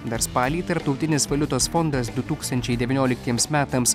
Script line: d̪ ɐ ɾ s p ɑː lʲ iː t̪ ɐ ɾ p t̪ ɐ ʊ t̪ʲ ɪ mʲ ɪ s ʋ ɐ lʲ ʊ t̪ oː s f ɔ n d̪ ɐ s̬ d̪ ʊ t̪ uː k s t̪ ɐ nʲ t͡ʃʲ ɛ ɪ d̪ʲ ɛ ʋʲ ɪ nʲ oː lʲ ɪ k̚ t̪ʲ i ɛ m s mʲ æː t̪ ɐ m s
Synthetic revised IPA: d̪ ɐ ɾ s p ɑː lʲ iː t̪ ɐ ɾ p t̪ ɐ ʊ t̪ʲ ɪ nʲ ɪ s ʋ ɐ lʲ ʊ t̪ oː s f ɔ n d̪ ɐ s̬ d̪ ʊ t̪ uː k s t̪ ɐ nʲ t͡ʃʲ ɛ ɪ d̪ʲ ɛ ʋʲ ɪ nʲ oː lʲ ɪ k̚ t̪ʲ i ɛ m s mʲ æː t̪ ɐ m s